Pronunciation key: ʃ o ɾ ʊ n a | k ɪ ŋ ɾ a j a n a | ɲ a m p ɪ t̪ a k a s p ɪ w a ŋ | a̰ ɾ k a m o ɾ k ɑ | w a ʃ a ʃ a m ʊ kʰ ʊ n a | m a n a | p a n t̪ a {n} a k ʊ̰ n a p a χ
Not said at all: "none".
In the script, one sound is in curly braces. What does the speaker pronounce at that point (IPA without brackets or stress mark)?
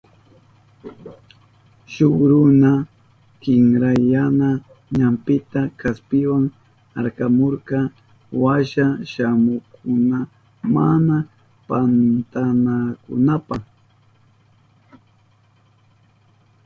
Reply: n